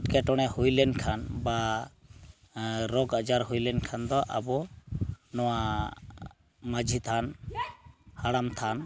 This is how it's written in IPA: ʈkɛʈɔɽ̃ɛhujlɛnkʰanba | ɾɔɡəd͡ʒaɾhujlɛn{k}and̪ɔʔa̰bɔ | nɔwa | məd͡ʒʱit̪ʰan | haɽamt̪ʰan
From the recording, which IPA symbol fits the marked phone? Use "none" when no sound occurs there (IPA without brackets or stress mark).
kʰ